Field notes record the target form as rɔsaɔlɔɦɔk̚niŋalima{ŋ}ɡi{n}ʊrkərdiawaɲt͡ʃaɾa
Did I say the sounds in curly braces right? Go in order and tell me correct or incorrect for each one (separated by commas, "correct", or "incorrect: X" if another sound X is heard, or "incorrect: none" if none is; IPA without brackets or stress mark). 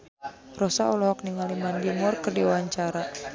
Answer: incorrect: n, incorrect: m